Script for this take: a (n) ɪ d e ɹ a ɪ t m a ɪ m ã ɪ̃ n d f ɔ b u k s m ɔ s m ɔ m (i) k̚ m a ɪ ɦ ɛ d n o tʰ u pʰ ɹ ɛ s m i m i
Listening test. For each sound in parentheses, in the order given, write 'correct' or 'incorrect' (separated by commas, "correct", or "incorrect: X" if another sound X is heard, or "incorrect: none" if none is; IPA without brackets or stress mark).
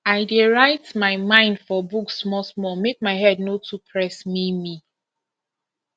incorrect: none, incorrect: e